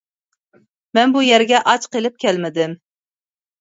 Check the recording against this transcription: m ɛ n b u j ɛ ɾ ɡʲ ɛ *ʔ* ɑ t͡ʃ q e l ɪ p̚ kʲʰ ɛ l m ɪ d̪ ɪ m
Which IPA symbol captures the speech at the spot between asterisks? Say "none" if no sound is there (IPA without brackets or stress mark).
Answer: ʔ